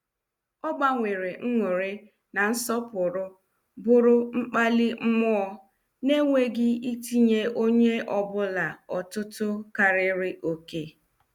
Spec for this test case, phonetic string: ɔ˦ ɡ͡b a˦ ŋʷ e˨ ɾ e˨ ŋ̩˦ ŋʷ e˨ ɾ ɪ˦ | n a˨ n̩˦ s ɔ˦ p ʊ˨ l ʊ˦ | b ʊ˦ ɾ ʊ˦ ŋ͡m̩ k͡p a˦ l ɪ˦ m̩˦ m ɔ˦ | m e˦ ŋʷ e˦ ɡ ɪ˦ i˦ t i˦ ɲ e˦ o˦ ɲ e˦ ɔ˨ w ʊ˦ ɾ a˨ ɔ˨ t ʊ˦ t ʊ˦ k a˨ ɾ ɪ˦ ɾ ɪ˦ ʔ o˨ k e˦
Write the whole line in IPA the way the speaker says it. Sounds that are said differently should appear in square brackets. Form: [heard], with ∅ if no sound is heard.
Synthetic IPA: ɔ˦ ɡ͡b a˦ ŋʷ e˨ ɾ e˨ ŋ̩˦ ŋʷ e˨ ɾ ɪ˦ | n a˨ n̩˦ s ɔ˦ p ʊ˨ [ɾ] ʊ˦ | b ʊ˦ ɾ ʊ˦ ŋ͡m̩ k͡p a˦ l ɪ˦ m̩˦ m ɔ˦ | [n] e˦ ŋʷ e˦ ɡ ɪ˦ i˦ t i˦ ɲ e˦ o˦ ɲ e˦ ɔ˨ [b] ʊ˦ [l] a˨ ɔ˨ t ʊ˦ t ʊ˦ k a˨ ɾ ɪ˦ ɾ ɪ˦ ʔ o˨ k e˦